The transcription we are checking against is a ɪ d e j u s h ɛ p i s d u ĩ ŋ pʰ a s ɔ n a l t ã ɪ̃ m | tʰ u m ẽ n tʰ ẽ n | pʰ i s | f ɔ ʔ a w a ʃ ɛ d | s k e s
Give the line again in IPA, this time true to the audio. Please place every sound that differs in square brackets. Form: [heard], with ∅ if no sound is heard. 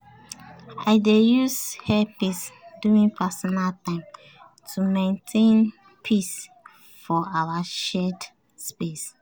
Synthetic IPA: a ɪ d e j u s h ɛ p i s d u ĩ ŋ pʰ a s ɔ n a l t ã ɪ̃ m | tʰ u m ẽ n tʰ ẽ n | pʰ i s | f ɔ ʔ a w a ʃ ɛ d | s [p] e s